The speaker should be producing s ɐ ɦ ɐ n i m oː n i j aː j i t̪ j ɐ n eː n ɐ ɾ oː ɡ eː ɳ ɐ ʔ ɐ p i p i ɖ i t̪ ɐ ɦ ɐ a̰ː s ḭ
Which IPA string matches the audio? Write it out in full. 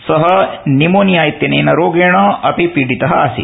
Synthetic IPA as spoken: s ɐ ɦ ɐ n i m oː n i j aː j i t̪ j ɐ n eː n ɐ ɾ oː ɡ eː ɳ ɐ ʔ ɐ p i p i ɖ i t̪ ɐ ɦ ɐ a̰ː s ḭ